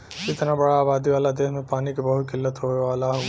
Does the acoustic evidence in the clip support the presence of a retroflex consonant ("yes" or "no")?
yes